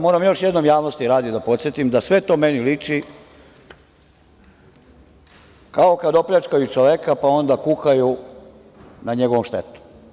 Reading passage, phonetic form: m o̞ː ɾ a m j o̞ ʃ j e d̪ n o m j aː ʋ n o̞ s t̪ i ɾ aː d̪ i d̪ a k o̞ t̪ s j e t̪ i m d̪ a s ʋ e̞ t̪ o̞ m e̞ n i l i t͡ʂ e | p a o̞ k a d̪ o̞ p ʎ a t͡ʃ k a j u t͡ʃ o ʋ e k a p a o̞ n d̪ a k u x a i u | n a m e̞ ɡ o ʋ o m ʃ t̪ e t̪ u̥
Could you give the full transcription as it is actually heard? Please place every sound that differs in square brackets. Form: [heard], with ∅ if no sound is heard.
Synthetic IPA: m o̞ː ɾ a m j o̞ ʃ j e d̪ n o m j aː ʋ n o̞ s t̪ i ɾ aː d̪ i d̪ a [p] o̞ t̪ s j e t̪ i m d̪ a s ʋ e̞ t̪ o̞ m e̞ n i l i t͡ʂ [i] | [k] a o̞ k a d̪ o̞ p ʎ a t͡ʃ k a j u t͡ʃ o ʋ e k a p a o̞ n d̪ a k u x a [j] u | n a [ɲ] e̞ ɡ o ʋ o m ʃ t̪ e t̪ u̥